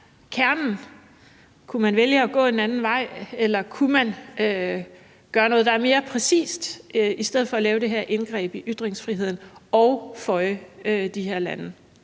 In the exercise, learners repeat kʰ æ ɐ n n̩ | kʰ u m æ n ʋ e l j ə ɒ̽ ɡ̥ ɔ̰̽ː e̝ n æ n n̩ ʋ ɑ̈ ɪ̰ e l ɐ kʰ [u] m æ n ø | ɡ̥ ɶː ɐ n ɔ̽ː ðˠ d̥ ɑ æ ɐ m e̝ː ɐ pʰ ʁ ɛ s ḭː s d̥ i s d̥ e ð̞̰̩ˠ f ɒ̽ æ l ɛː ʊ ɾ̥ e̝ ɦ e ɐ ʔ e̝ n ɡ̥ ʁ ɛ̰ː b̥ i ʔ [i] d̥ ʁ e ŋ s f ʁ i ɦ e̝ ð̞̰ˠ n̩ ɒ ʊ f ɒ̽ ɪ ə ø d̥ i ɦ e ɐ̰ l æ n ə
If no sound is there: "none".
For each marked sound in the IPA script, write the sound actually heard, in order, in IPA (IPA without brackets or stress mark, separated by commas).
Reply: u, y